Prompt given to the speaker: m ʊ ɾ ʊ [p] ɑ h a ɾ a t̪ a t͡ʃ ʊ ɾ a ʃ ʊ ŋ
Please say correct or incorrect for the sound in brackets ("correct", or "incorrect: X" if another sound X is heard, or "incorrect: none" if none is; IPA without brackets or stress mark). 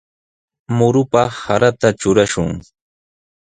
correct